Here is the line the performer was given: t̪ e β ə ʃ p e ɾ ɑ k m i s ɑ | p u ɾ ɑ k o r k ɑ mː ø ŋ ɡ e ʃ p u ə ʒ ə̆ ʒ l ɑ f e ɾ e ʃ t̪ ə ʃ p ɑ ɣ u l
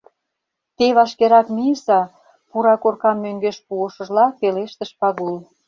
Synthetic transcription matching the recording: t̪ e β ɑ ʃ k e ɾ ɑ k m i s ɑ | p u ɾ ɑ k o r k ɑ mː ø ŋ ɡ e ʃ p u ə ʃ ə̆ ʒ l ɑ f e l e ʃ t̪ ə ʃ p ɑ ɣ u l